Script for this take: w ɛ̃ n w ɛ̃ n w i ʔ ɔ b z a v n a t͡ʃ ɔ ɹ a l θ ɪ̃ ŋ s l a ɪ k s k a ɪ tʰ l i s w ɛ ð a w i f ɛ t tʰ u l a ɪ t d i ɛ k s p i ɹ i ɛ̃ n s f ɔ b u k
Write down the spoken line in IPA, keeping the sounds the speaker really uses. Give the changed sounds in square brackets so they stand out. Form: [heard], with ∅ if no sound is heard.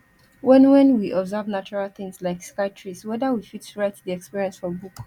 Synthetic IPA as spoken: w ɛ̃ n w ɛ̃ n w i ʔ ɔ b z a v n a t͡ʃ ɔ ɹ a l θ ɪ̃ ŋ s l a ɪ k s k a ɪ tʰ [ɹ] i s w ɛ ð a w i f [i] t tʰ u [ɹ] a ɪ t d i ɛ k s p i ɹ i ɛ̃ n s f ɔ b u k